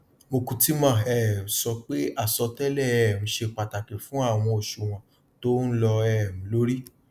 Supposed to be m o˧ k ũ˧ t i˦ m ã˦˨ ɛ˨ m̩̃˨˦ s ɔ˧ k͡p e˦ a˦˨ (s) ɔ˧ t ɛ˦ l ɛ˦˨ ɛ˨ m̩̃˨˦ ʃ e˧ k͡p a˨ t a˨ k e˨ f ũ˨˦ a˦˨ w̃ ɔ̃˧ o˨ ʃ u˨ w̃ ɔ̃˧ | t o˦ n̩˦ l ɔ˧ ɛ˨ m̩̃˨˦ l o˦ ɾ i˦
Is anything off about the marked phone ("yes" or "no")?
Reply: no